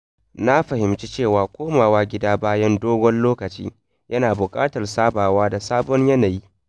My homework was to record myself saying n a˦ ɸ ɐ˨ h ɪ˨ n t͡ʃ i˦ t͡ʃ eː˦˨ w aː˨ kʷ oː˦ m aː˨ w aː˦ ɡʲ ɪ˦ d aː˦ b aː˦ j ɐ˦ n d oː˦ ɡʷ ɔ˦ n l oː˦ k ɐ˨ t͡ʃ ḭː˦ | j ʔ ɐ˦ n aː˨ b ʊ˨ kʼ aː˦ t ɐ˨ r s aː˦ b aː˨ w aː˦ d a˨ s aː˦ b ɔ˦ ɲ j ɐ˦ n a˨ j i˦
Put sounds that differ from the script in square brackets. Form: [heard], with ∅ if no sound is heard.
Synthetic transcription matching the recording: n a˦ ɸ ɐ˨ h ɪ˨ [m] t͡ʃ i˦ t͡ʃ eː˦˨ w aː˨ kʷ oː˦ m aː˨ w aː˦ ɡʲ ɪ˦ d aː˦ b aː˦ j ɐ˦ n d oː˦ ɡʷ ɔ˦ n l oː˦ k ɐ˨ t͡ʃ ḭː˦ | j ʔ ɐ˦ n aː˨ b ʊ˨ kʼ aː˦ t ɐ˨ r s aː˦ b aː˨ w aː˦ d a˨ s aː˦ b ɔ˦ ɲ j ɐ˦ n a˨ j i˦